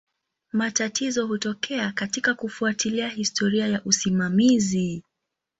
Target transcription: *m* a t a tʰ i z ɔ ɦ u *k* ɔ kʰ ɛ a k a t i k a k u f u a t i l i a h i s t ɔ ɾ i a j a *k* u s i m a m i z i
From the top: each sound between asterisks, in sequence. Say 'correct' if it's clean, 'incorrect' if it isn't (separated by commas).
correct, incorrect, incorrect